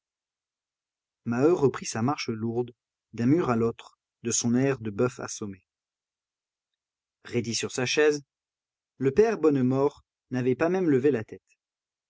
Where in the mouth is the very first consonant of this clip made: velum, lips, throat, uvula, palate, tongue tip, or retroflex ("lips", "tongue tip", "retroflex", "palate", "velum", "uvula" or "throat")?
lips